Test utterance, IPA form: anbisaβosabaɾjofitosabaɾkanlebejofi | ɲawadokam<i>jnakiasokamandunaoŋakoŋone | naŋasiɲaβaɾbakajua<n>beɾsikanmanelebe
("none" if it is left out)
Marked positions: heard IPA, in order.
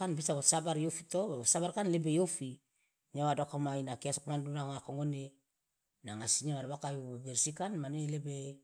a, none

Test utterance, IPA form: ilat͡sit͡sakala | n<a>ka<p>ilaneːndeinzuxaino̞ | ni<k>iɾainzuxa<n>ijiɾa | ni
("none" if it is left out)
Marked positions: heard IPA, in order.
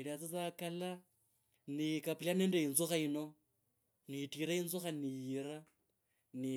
i, p, t, n

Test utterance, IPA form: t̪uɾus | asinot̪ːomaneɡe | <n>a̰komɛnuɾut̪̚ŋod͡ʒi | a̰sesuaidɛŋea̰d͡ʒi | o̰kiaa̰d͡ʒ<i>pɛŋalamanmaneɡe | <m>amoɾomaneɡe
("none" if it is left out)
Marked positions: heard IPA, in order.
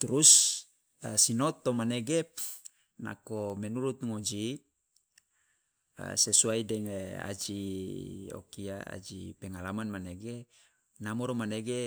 n, i, n

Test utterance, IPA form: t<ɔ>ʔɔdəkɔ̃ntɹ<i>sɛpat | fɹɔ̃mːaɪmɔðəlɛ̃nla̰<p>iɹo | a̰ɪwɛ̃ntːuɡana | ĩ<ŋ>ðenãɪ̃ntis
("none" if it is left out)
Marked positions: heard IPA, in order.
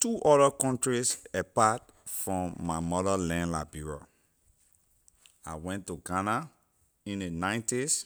u, i, b, n

